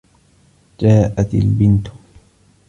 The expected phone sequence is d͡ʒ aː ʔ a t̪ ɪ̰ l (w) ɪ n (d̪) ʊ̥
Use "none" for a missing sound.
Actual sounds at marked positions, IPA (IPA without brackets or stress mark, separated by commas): b, t̪